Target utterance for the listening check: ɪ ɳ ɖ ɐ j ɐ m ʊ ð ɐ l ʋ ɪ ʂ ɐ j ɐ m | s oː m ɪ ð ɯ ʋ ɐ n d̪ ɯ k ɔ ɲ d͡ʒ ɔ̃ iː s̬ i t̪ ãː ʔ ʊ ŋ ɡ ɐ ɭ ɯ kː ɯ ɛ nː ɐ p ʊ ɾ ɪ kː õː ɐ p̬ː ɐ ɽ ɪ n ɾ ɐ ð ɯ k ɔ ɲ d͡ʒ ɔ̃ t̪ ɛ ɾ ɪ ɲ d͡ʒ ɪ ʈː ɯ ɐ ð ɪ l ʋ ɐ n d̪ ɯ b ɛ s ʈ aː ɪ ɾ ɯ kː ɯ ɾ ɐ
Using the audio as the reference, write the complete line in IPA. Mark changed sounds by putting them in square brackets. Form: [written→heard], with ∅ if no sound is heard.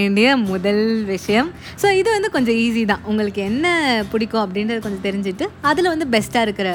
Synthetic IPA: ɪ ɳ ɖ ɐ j ɐ m ʊ ð ɐ l ʋ ɪ ʂ ɐ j ɐ m | s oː [m→∅] ɪ ð ɯ ʋ ɐ n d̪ ɯ k ɔ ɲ d͡ʒ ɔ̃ iː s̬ i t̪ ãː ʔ ʊ ŋ ɡ ɐ ɭ ɯ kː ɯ ɛ nː ɐ p ʊ [ɾ→ɽ] ɪ kː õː ɐ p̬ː ɐ ɽ ɪ n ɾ ɐ ð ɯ k ɔ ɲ d͡ʒ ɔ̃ t̪ ɛ ɾ ɪ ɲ d͡ʒ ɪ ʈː ɯ ɐ ð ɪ l ʋ ɐ n d̪ ɯ b ɛ s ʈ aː ɪ ɾ ɯ kː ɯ ɾ ɐ